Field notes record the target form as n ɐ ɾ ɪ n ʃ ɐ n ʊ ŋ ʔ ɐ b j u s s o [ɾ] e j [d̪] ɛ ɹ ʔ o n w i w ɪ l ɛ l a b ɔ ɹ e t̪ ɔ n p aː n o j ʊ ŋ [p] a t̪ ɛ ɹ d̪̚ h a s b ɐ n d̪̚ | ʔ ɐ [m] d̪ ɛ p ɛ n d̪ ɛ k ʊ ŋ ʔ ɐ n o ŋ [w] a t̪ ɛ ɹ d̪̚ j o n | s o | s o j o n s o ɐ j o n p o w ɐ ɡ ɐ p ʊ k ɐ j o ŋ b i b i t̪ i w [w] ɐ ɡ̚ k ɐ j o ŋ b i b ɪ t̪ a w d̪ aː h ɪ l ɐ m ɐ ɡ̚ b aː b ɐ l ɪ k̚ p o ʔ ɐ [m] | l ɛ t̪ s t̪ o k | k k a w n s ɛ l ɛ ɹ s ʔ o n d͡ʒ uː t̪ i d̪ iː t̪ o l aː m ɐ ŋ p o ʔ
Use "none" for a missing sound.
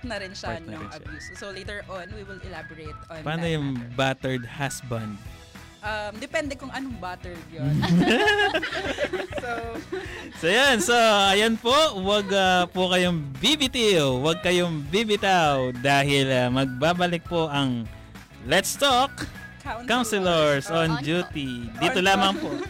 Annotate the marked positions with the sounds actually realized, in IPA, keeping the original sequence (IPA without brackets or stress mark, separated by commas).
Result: l, t̪, b, m, b, w, ŋ